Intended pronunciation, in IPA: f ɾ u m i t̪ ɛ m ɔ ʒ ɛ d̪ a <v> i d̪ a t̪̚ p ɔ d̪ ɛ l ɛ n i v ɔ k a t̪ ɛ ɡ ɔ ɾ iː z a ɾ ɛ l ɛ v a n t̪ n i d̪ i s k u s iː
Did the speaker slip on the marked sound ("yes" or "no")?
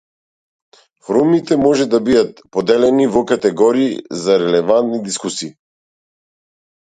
yes